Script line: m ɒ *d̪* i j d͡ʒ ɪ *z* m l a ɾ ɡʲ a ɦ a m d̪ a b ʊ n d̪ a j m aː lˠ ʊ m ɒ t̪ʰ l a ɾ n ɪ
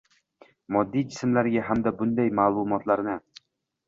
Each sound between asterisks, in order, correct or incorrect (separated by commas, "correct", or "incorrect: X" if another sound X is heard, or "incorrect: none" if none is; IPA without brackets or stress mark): incorrect: d̪ː, incorrect: s